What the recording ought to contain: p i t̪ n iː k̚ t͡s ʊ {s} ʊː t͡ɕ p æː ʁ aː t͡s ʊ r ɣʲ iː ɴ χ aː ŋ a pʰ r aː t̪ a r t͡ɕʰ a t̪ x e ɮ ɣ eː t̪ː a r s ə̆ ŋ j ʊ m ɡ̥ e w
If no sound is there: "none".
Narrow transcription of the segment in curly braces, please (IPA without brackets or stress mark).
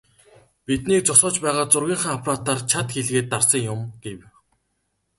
s